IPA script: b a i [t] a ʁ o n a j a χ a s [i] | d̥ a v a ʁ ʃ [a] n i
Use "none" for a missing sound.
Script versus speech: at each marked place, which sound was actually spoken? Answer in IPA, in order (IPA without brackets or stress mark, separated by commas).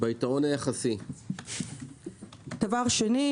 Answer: t, i, e